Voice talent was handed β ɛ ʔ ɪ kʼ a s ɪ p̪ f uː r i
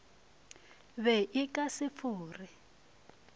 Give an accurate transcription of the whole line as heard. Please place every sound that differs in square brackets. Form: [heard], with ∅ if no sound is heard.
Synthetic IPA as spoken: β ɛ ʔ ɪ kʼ a s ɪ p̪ f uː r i